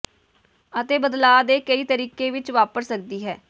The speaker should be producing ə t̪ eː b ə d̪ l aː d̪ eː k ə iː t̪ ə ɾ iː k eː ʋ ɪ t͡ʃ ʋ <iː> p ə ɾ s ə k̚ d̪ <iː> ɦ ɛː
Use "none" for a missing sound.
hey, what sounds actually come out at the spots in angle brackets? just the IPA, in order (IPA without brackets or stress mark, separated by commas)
aː, iː